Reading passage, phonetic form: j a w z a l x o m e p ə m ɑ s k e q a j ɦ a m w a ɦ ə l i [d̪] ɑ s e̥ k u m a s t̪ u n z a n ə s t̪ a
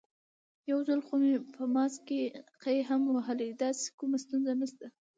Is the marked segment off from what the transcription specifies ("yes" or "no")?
no